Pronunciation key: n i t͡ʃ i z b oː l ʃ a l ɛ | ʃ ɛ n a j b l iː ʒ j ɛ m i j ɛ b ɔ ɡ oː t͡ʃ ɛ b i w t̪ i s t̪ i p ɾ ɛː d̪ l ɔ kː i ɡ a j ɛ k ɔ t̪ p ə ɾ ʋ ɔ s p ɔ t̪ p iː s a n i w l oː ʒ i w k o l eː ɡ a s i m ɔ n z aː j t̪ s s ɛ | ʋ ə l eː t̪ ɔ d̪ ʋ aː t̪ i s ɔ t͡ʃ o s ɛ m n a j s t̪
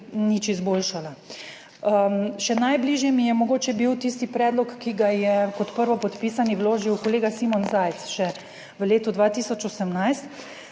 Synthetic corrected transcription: n i t͡ʃ i z b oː l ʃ a l a | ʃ ɛ n a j b l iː ʒ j ɛ m i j ɛ m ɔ ɡ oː t͡ʃ ɛ b i w t̪ i s t̪ i p ɾ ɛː d̪ l ɔ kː i ɡ a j ɛ k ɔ t̪ p ə ɾ ʋ ɔ p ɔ t̪ p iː s a n i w l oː ʒ i w k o l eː ɡ a s i m ɔ n z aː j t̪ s ʃ ɛ | ʋ ə l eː t̪ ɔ d̪ ʋ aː t̪ i s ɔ t͡ʃ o s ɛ m n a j s t̪

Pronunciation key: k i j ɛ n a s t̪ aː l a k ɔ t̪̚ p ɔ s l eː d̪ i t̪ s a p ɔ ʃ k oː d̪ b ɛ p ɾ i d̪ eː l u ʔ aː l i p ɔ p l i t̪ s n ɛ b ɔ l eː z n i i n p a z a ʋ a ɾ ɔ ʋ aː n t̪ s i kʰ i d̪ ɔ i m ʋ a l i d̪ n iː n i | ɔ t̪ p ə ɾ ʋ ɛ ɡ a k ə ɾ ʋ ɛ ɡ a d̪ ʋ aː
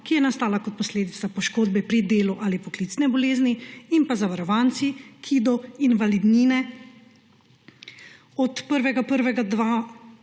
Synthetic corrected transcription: k i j ɛ n a s t̪ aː l a k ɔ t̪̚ p ɔ s l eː d̪ i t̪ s a p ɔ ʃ k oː d̪ b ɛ p ɾ i d̪ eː l u ʔ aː l i p ɔ k l i t̪ s n ɛ b ɔ l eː z n i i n p a z a ʋ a ɾ ɔ ʋ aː n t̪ s i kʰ i d̪ ɔ i n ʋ a l i d̪ n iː n ɛ | ɔ t̪ p ə ɾ ʋ ɛ ɡ a p ə ɾ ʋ ɛ ɡ a d̪ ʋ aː

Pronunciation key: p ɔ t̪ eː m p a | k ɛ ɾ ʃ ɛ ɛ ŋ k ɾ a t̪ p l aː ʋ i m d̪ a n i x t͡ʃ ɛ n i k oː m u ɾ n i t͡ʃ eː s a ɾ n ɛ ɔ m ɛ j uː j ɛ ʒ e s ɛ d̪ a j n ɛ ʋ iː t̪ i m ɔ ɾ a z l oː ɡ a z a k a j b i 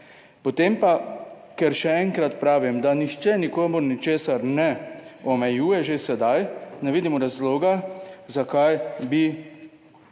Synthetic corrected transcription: p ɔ t̪ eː m p a | k ɛ ɾ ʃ ɛ ɛ ŋ k ɾ a t̪ p ɾ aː ʋ i m d̪ a n i x t͡ʃ ɛ n i k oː m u ɾ n i t͡ʃ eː s a ɾ n ɛ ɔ m ɛ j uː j ɛ ʒ e s ɛ d̪ a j n ɛ ʋ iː d̪ i m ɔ ɾ a z l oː ɡ a z a k a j b i

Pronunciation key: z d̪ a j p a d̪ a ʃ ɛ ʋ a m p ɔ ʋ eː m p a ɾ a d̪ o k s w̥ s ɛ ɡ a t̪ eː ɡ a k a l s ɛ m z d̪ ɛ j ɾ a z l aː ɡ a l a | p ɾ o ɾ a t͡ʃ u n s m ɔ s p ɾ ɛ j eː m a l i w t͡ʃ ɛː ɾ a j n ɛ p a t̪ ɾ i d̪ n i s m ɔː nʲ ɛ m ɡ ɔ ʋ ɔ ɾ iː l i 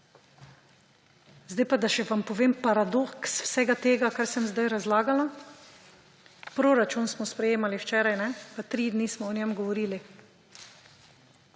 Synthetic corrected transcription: z d̪ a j p a d̪ a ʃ ɛ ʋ a m p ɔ ʋ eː m p a ɾ a d̪ o k s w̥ s ɛ ɡ a t̪ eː ɡ a k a ɾ s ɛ m z d̪ a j ɾ a z l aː ɡ a l a | p ɾ o ɾ a t͡ʃ u n s m ɔ s p ɾ ɛ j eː m a l i w t͡ʃ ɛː ɾ a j n ɛ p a t̪ ɾ i d̪ n i s m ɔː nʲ ɛ m ɡ ɔ ʋ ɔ ɾ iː l i

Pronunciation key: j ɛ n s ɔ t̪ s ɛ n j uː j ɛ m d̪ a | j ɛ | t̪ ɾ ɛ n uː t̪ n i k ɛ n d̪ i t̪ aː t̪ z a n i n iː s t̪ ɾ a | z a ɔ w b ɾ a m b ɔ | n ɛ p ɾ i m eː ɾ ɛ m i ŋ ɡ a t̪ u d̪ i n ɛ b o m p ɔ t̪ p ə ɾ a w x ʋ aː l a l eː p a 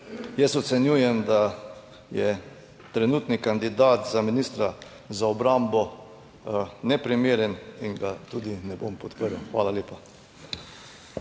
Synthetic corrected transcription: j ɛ s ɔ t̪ s ɛ n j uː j ɛ m d̪ a | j ɛ | t̪ ɾ ɛ n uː t̪ n i k a n d̪ i d̪ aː t̪ z a m i n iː s t̪ ɾ a | z a ɔ b ɾ a m b ɔ | n ɛ p ɾ i m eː ɾ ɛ n i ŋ ɡ a t̪ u d̪ i n ɛ b o m p ɔ t̪ p ə ɾ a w x ʋ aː l a l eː p a

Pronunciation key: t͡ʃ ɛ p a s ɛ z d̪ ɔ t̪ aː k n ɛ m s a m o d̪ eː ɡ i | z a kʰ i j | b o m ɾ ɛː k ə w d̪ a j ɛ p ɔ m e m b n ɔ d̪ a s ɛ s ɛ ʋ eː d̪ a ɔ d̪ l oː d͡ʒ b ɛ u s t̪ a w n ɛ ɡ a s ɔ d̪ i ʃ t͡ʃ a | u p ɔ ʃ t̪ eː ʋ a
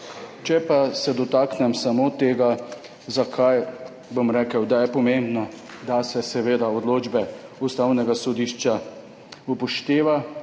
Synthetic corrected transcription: t͡ʃ ɛ p a s ɛ d̪ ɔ t̪ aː k n ɛ m s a m o t̪ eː ɡ a | z a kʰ a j | b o m ɾ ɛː k ə w d̪ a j ɛ p ɔ m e m b n ɔ d̪ a s ɛ s ɛ ʋ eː d̪ a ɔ d̪ l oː d͡ʒ b ɛ u s t̪ a w n ɛ ɡ a s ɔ d̪ i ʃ t͡ʃ a | u p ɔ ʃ t̪ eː ʋ a

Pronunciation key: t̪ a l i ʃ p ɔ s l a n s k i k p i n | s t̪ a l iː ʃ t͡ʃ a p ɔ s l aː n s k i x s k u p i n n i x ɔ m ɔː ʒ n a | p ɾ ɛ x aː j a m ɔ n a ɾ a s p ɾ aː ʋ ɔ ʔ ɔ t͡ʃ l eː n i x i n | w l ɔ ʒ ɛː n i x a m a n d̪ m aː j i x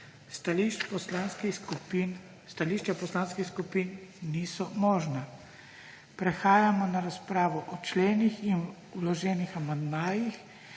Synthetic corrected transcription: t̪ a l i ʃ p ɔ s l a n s k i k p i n | s t̪ a l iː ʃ t͡ʃ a p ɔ s l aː n s k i x s k u p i n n i s ɔ m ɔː ʒ n a | p ɾ ɛ x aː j a m ɔ n a ɾ a s p ɾ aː ʋ ɔ ʔ ɔ t͡ʃ l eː n i x i n | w l ɔ ʒ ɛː n i x a m a n d̪ m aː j i x

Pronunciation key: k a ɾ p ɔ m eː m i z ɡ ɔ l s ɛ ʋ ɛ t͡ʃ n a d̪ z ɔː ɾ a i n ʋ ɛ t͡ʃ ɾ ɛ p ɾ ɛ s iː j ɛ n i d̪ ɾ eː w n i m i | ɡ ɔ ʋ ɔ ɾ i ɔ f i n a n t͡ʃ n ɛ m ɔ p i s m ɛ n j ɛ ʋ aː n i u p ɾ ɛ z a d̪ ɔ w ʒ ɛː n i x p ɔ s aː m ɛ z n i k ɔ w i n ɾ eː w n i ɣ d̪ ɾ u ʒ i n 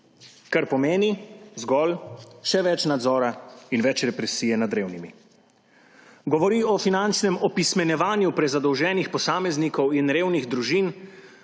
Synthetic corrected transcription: k a ɾ p ɔ m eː n i z ɡ ɔ l ʃ ɛ ʋ ɛ t͡ʃ n a d̪ z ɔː ɾ a i n ʋ ɛ t͡ʃ ɾ ɛ p ɾ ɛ s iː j ɛ n a d̪ ɾ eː w n i m i | ɡ ɔ ʋ ɔ ɾ i ɔ f i n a n t͡ʃ n ɛ m ɔ p i s m ɛ n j ɛ ʋ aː n j u p ɾ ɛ z a d̪ ɔ w ʒ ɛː n i x p ɔ s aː m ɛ z n i k ɔ w i n ɾ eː w n i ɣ d̪ ɾ u ʒ i n

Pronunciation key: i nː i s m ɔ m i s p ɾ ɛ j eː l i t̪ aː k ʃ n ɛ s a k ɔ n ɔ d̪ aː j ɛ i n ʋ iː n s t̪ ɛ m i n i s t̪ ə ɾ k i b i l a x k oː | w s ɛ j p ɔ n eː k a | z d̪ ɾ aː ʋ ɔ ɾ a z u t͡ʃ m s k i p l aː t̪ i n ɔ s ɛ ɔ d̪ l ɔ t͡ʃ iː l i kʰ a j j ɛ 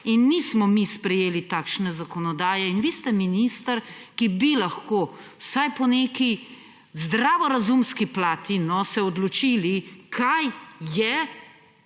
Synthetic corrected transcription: i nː i s m ɔ m i s p ɾ ɛ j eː l i t̪ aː k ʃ n ɛ z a k ɔ n ɔ d̪ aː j ɛ i n ʋ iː s t̪ ɛ m i n i s t̪ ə ɾ k i b i l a x k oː | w s a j p ɔ n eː k i | z d̪ ɾ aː ʋ ɔ ɾ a z u m s k i p l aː t̪ i n ɔ s ɛ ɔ d̪ l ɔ t͡ʃ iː l i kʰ a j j ɛ

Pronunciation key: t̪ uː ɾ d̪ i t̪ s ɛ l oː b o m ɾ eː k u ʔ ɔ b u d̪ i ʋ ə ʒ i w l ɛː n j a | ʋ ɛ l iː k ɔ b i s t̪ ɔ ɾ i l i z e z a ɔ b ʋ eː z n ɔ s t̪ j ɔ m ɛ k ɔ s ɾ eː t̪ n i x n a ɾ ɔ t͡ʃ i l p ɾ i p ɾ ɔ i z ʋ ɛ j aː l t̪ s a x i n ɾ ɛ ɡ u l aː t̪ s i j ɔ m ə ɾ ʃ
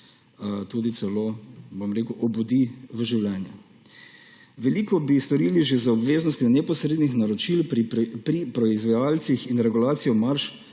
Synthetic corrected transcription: t̪ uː d̪ i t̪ s ɛ l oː b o m ɾ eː k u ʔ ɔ b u d̪ i ʋ ə ʒ i w l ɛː n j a | ʋ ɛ l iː k ɔ b i s t̪ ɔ ɾ i l i ʒ e z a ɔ b ʋ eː z n ɔ s t̪ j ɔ n ɛ p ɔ s ɾ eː d̪ n i x n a ɾ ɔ t͡ʃ i l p ɾ i p ɾ ɔ i z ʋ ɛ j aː l t̪ s i x i n ɾ ɛ ɡ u l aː t̪ s i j ɔ m a ɾ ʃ

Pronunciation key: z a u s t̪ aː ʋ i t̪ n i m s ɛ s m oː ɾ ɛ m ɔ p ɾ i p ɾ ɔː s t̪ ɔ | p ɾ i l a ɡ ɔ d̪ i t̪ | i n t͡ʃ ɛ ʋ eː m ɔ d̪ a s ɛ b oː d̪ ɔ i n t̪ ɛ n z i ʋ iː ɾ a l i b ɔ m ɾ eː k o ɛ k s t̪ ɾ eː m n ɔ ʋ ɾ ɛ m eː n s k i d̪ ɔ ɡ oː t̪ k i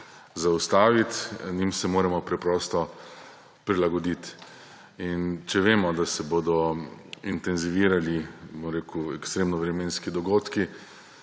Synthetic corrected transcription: z a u s t̪ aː ʋ i t̪ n i m s ɛ m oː ɾ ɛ m ɔ p ɾ ɛ p ɾ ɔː s t̪ ɔ | p ɾ i l a ɡ ɔ d̪ i t̪ | i n t͡ʃ ɛ ʋ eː m ɔ d̪ a s ɛ b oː d̪ ɔ i n t̪ ɛ n z i ʋ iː ɾ a l i b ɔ m ɾ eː k u ɛ k s t̪ ɾ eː m n ɔ ʋ ɾ ɛ m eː n s k i d̪ ɔ ɡ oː t̪ k i

